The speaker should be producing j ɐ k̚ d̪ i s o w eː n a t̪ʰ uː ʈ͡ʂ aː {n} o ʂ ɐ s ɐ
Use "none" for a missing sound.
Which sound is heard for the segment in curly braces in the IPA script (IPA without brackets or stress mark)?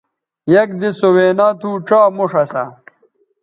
m